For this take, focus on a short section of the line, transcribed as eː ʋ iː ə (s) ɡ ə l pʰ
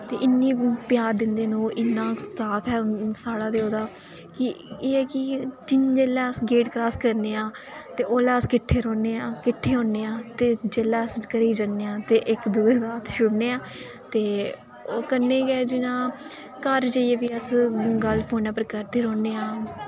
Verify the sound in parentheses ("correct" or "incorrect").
correct